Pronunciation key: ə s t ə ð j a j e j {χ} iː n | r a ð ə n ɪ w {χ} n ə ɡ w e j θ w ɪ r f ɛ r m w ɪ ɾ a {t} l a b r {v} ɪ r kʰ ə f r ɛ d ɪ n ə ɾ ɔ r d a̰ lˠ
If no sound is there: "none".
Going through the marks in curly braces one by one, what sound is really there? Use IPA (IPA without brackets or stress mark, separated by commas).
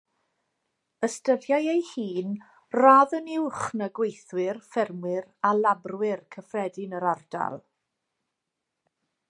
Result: h, χ, none, w